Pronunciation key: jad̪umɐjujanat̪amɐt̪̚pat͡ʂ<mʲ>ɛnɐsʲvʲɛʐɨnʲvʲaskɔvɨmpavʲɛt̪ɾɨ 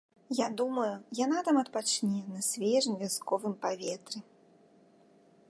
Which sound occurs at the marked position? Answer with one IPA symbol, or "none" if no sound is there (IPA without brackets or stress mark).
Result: nʲ